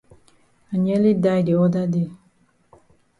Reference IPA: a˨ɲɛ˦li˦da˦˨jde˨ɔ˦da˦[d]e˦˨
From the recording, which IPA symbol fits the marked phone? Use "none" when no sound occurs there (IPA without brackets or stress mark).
d